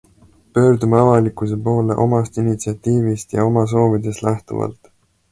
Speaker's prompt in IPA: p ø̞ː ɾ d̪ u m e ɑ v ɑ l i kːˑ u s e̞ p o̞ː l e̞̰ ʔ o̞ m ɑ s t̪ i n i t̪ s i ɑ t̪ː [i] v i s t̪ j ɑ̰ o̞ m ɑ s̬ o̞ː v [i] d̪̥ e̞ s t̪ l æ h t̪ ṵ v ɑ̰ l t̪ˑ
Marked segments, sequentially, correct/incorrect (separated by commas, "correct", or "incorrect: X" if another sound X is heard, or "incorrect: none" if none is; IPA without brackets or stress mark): incorrect: iː, correct